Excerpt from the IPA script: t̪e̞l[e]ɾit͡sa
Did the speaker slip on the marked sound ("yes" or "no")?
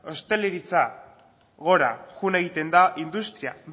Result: no